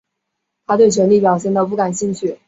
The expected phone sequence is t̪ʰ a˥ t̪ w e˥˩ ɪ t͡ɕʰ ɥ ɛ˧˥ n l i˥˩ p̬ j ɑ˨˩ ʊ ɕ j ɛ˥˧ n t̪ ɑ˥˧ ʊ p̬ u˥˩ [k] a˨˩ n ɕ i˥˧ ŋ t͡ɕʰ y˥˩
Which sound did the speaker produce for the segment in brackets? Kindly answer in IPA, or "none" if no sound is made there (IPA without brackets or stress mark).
k